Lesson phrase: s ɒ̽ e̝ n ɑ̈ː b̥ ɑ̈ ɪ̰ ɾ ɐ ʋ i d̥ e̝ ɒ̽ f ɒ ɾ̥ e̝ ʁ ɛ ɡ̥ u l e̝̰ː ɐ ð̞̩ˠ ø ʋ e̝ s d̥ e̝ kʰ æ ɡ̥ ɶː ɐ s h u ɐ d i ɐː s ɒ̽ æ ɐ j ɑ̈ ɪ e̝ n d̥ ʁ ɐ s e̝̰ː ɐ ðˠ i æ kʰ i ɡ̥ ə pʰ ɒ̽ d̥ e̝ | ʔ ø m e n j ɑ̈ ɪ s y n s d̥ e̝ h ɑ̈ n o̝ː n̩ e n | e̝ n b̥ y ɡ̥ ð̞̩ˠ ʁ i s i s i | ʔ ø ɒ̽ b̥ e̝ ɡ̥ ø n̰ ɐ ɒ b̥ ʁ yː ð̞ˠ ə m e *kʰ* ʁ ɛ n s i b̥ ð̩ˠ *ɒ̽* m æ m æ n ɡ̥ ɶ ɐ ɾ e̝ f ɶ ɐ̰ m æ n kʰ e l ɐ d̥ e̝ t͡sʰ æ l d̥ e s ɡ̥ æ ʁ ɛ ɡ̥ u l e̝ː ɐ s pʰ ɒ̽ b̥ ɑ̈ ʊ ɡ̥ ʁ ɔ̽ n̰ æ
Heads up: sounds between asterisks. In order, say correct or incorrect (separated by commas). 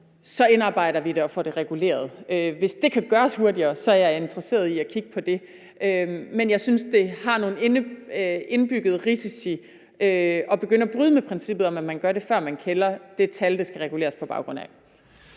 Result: incorrect, correct